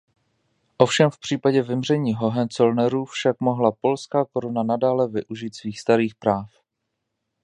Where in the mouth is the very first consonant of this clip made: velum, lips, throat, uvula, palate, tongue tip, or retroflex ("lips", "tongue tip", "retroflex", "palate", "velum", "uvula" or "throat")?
throat